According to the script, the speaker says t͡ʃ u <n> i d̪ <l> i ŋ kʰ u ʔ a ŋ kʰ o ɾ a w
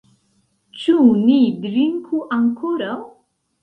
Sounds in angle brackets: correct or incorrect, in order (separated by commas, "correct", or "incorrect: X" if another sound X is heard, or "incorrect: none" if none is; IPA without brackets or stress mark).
correct, incorrect: ɾ